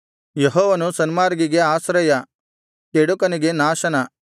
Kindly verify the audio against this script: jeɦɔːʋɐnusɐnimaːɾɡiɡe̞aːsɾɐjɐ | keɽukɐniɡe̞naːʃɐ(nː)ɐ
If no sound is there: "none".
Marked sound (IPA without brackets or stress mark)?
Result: n